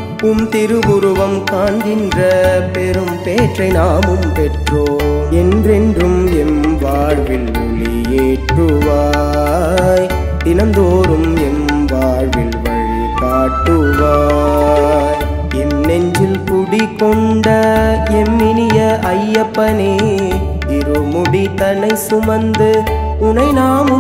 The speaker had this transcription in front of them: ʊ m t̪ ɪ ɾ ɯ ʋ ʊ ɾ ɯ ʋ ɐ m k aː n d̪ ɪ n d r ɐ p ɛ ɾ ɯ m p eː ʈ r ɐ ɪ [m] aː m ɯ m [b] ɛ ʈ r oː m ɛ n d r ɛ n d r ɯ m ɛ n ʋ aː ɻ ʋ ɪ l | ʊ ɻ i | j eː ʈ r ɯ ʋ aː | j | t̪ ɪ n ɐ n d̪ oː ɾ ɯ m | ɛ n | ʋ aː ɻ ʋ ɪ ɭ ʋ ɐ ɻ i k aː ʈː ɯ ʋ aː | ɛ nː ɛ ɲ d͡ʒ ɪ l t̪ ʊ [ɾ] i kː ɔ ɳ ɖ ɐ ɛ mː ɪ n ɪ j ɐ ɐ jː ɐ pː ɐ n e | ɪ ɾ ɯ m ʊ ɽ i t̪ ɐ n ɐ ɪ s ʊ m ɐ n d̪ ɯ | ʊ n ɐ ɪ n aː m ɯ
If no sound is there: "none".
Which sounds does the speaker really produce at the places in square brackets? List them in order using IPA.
n, p, ɽ

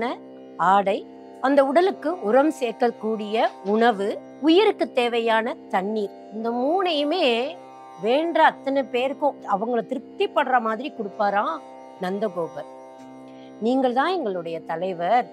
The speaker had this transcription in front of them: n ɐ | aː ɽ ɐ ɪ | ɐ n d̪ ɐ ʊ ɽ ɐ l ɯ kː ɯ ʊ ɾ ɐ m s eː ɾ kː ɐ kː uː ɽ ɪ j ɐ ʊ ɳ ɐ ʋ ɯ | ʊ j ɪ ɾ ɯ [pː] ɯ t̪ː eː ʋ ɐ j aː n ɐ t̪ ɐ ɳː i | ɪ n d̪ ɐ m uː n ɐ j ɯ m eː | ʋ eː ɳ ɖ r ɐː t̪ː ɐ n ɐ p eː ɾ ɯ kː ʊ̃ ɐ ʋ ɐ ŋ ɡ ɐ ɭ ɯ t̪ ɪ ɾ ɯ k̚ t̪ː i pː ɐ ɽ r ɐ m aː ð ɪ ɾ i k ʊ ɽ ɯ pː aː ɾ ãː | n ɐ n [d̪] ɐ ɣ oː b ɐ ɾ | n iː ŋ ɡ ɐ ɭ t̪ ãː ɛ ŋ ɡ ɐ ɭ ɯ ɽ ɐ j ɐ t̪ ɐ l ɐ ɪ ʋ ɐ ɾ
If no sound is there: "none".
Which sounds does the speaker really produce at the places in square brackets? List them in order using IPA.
kː, d̪

